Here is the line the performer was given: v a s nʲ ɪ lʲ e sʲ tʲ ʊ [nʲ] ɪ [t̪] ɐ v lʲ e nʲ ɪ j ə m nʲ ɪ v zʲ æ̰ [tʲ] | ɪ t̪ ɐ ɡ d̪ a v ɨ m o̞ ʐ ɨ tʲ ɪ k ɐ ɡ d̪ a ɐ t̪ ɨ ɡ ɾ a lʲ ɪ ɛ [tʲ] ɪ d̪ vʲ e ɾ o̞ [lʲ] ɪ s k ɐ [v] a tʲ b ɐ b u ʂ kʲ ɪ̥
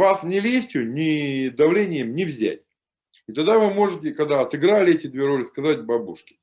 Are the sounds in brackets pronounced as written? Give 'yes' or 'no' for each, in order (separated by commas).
yes, no, yes, yes, yes, no